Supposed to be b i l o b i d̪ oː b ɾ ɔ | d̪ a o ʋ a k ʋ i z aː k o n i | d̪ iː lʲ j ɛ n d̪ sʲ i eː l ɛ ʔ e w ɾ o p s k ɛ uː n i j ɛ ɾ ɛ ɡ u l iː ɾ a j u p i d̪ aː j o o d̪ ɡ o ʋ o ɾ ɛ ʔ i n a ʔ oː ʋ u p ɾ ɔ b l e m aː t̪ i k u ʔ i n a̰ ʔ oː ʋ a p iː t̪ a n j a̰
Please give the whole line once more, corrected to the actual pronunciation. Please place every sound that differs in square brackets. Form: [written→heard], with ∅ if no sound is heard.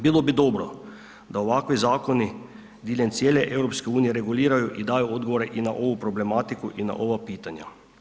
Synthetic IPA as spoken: b i l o b i d̪ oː b ɾ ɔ | d̪ a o ʋ a k ʋ i z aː k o n i | d̪ iː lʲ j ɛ n [d̪→t̪] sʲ [i→j] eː l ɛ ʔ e w ɾ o p s k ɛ uː n i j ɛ ɾ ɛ ɡ u l iː ɾ a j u [p→ʔ] i d̪ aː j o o d̪ ɡ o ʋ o ɾ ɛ ʔ i n a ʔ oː ʋ u p ɾ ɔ b l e m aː t̪ i k u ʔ i n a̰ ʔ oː ʋ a p iː t̪ a n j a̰